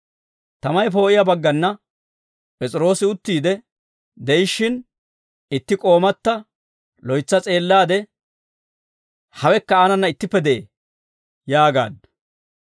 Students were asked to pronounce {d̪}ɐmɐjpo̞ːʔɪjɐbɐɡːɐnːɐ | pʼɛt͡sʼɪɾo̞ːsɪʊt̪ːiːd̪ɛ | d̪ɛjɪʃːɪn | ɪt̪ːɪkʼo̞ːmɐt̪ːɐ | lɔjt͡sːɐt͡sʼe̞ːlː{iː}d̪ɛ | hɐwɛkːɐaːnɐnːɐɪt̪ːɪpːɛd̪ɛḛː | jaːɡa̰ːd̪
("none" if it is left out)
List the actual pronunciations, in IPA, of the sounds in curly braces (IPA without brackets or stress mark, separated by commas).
t̪, aː